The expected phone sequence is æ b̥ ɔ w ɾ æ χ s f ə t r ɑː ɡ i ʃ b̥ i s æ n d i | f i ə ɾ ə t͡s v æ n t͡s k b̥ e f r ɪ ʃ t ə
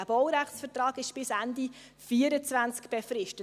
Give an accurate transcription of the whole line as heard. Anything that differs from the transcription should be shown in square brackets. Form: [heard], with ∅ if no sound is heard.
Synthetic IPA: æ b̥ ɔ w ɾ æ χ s f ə t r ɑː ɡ [ɪ] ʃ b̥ [ɪ] s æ n d i | f i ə ɾ ə t͡s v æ n t͡s k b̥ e f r ɪ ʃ t ə